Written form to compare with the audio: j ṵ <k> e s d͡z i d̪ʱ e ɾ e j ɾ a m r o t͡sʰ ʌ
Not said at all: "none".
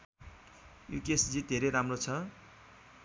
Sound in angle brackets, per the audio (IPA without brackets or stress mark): k